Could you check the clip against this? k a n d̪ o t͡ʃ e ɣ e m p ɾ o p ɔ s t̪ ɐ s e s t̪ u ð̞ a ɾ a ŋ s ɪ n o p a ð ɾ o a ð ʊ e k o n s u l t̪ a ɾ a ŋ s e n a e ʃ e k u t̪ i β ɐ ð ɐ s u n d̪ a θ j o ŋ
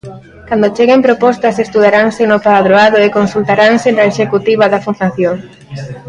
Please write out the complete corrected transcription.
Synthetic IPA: k a n d̪ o t͡ʃ e ɣ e m p ɾ o p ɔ s t̪ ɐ s e s t̪ u ð̞ a ɾ a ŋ s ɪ n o p a ð ɾ o a ð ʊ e k o n s u l t̪ a ɾ a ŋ s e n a e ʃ e k u t̪ i β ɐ ð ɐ f u n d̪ a θ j o ŋ